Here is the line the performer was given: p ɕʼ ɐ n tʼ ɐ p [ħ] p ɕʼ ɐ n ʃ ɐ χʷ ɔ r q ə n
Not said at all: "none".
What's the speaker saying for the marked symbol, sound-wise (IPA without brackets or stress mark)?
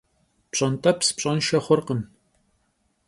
s